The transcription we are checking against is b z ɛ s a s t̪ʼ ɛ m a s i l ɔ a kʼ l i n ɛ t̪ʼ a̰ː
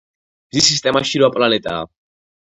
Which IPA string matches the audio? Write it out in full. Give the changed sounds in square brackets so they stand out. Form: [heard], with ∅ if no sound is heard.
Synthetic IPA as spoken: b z [i] s [i] s t̪ʼ ɛ m a [ʃ] i [ɾ] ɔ a [pʼ] l [a] n ɛ t̪ʼ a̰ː